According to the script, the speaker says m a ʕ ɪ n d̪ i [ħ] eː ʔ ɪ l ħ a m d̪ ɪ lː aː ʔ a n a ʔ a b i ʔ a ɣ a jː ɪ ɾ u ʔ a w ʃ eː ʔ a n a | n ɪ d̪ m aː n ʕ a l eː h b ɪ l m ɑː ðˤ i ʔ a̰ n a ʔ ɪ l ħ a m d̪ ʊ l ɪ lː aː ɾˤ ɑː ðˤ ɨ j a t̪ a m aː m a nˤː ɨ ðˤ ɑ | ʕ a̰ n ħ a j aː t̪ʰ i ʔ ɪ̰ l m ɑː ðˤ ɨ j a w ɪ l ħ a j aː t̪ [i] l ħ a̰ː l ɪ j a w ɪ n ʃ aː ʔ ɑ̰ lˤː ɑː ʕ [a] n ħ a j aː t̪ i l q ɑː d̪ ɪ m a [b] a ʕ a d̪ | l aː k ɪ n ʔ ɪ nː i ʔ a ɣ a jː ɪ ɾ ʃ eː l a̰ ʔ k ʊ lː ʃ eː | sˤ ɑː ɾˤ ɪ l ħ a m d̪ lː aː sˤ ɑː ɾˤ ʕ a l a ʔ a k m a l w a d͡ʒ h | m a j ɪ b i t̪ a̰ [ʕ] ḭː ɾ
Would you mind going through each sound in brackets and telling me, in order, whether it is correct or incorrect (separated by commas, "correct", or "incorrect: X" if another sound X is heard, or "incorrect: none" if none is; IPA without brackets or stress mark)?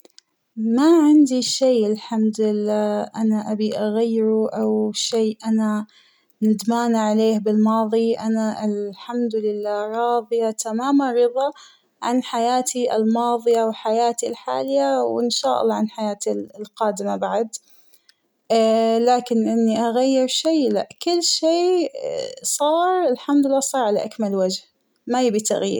incorrect: ʃ, correct, correct, correct, incorrect: ɣ